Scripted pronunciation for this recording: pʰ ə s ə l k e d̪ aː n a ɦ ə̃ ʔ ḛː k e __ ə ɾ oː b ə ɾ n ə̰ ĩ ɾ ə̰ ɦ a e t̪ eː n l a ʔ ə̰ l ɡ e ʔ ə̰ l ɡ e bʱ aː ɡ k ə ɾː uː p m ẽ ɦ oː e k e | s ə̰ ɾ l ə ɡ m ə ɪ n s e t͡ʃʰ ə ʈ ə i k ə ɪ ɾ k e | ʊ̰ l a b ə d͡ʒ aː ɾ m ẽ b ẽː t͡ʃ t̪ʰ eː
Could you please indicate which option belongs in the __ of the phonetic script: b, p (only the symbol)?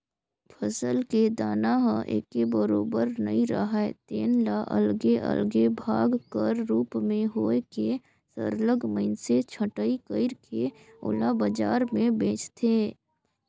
b